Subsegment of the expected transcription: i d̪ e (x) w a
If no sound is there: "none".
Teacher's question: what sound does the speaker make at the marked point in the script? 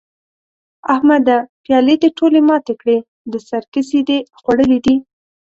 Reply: x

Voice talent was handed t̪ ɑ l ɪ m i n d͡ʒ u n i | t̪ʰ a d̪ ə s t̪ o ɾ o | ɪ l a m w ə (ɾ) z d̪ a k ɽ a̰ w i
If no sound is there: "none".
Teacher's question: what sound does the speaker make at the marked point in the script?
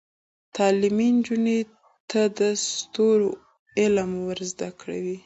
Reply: ɾ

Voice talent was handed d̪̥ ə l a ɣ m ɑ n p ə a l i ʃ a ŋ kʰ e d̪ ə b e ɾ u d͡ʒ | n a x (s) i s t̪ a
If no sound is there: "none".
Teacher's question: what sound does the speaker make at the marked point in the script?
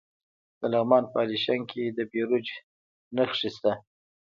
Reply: ʂ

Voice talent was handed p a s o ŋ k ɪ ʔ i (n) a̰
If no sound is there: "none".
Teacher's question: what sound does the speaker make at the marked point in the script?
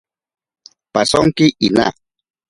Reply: n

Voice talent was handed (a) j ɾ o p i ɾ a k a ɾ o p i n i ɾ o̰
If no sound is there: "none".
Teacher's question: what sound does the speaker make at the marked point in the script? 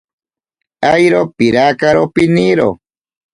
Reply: a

